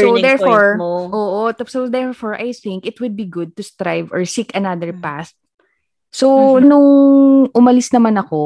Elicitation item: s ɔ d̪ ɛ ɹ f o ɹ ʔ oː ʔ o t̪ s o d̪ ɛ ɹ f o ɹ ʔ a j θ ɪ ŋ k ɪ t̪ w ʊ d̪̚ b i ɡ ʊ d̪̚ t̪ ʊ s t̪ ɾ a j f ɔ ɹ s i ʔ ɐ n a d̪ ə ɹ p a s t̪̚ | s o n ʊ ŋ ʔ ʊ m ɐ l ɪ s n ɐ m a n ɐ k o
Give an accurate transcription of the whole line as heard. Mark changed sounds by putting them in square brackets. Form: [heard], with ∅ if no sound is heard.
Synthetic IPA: s [o] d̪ ɛ ɹ f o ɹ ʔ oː ʔ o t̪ s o d̪ ɛ ɹ f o ɹ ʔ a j θ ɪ ŋ k ɪ t̪ w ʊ d̪̚ b i ɡ ʊ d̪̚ t̪ ʊ s t̪ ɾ a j [v] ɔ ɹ s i [k] ɐ n a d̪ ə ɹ p a s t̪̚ | s o n ʊ ŋ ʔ ʊ m ɐ l ɪ s n ɐ m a n ɐ k o